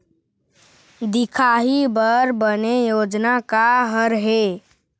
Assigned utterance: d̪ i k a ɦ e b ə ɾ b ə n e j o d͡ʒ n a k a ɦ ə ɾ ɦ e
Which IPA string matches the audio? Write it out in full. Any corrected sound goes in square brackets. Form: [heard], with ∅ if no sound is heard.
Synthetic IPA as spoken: d̪ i [kʰ] a ɦ [i] b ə ɾ b ə n e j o d͡ʒ n a k a ɦ ə ɾ ɦ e

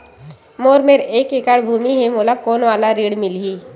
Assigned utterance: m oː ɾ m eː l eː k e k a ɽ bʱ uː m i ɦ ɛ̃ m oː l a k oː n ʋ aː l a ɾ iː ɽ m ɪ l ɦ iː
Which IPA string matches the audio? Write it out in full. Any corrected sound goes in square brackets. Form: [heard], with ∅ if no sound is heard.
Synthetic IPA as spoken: m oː ɾ m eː [ɾ] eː k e k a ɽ bʱ uː m i ɦ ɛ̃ m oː l a k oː n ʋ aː l a ɾ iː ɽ m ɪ l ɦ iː

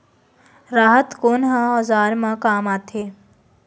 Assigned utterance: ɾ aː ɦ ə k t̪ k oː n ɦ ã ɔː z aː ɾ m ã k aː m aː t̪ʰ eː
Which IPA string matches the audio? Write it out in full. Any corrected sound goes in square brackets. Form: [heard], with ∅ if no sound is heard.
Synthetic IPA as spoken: ɾ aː ɦ ə [∅] t̪ k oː n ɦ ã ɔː z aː ɾ m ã k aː m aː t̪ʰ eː

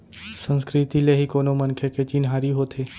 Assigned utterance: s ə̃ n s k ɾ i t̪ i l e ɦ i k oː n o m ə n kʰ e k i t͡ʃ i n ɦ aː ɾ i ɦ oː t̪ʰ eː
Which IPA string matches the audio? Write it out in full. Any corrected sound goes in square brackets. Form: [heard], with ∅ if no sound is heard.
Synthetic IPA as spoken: s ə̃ n s k ɾ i t̪ i l e ɦ i k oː n o m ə n kʰ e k [e] t͡ʃ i n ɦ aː ɾ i ɦ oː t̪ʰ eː

